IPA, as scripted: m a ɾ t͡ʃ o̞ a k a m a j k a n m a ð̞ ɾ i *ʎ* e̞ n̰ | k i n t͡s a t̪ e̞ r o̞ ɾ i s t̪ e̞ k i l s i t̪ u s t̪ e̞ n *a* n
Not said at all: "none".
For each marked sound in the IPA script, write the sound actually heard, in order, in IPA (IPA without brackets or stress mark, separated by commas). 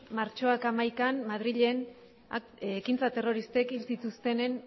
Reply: ʎ, e